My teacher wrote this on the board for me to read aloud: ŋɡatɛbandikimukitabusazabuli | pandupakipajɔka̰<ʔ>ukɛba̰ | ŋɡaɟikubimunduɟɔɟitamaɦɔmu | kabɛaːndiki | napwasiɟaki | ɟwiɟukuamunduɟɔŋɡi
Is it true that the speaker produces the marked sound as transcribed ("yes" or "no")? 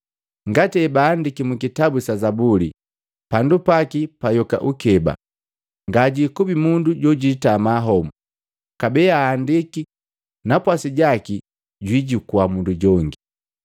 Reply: yes